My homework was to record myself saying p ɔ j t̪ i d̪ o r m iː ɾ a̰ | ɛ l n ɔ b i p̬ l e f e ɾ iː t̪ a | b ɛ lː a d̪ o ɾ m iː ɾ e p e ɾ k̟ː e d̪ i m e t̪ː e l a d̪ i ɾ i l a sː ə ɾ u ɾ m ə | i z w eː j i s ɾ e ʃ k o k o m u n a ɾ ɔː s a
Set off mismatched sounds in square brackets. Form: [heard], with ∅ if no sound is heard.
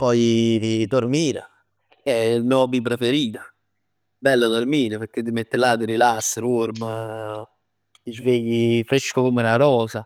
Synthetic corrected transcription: p ɔ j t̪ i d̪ o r m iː ɾ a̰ | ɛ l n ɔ b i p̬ [ɾ] e f e ɾ iː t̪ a | b ɛ lː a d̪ o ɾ m iː ɾ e p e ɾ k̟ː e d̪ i m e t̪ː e l a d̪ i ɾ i l a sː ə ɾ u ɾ m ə | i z [v] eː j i [f] ɾ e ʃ k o k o m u n a ɾ ɔː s a